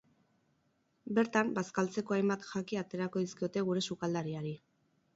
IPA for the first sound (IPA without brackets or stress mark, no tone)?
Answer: b